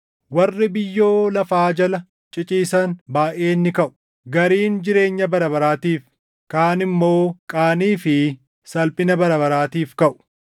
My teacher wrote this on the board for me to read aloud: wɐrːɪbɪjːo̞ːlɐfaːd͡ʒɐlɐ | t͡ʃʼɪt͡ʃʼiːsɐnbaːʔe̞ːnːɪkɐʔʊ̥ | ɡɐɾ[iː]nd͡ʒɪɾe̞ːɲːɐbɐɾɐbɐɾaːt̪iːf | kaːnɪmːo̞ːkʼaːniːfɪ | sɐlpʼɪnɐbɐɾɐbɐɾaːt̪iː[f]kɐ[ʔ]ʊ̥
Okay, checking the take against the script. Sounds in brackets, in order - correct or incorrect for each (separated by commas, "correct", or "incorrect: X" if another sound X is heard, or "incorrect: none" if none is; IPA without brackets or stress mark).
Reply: correct, correct, correct